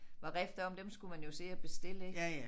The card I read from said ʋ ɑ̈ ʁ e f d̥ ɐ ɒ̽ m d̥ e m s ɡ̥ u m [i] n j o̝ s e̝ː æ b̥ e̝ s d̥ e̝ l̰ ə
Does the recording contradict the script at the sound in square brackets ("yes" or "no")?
yes